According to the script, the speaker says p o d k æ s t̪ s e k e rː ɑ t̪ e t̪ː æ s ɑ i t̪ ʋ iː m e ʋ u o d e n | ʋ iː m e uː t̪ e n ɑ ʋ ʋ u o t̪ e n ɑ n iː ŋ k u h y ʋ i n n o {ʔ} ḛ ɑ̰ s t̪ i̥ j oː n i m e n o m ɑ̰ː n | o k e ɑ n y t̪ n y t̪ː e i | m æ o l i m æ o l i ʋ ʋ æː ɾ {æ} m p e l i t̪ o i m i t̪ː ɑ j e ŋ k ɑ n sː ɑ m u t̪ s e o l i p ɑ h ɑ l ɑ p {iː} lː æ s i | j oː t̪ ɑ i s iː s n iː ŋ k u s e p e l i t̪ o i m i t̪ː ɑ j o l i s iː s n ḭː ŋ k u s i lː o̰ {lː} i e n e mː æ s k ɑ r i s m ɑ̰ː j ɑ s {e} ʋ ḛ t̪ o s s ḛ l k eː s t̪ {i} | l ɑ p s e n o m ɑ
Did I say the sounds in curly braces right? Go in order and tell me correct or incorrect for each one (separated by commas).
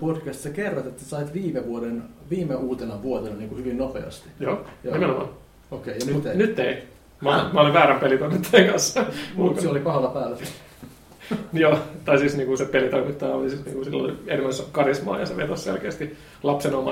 incorrect, correct, incorrect, incorrect, correct, correct